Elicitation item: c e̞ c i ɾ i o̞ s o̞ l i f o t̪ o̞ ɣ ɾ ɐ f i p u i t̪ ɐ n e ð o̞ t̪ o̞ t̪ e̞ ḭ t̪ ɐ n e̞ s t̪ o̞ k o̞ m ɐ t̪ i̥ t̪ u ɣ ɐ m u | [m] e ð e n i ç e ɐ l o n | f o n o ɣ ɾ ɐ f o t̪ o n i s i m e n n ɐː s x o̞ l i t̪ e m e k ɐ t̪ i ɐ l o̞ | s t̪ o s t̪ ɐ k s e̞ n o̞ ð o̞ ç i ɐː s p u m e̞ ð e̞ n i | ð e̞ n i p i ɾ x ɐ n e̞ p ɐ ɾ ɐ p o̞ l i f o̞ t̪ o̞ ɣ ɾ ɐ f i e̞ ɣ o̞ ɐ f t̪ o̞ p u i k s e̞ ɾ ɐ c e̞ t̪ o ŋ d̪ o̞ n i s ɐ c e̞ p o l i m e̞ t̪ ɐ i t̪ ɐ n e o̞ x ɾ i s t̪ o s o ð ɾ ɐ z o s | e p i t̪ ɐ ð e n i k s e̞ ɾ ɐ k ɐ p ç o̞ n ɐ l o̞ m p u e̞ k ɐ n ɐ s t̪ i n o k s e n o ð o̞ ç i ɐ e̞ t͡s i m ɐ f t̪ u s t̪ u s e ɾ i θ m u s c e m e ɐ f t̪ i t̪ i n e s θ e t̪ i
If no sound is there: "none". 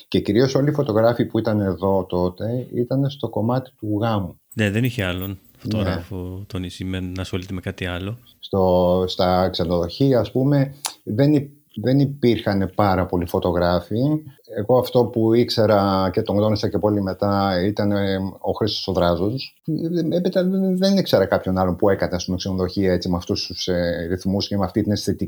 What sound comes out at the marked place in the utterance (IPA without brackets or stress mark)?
n